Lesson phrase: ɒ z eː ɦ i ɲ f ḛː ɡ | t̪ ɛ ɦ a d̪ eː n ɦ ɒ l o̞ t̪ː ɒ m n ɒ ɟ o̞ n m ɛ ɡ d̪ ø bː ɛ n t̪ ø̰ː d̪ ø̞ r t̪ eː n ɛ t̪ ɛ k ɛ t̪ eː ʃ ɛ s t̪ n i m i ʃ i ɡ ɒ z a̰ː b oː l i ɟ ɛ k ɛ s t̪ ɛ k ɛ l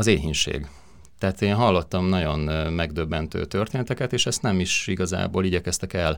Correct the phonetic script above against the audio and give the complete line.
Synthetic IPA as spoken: ɒ z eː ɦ i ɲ ʃ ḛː ɡ | t̪ ɛ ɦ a t̪ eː n ɦ ɒ lː o̞ t̪ː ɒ m n ɒ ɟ o̞ n m ɛ ɡ d̪ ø bː ɛ n t̪ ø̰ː t̪ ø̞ r t̪ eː n ɛ t̪ ɛ k ɛ t̪ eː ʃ ɛ s t̪ n ɛ m i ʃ i ɡ ɒ z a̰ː b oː l i ɟ ɛ k ɛ s t̪ ɛ k ɛ l